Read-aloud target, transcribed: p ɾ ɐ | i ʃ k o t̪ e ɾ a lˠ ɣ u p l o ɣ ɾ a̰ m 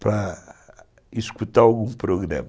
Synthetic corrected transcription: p ɾ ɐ | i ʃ k u t̪ a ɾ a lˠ ɣ ũ p ɾ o ɣ ɾ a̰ m